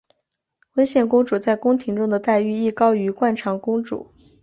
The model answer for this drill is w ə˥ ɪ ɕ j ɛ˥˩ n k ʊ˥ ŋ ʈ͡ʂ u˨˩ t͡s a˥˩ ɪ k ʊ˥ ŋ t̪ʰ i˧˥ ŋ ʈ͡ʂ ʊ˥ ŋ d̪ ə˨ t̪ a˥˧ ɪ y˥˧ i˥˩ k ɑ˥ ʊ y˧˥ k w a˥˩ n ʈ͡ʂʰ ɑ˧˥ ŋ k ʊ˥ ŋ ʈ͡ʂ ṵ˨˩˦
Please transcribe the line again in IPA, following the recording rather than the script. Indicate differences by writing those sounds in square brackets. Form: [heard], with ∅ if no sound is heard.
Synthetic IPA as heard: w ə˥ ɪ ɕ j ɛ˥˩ n k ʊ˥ ŋ ʈ͡ʂ u˨˩ t͡s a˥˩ ɪ k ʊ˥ ŋ t̪ʰ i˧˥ ŋ ʈ͡ʂ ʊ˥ ŋ d̪ ə˨ t̪ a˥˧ ɪ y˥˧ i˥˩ k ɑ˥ ʊ y˧˥ k w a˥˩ n ʈ͡ʂʰ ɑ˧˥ ŋ k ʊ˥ ŋ ʈ͡ʂ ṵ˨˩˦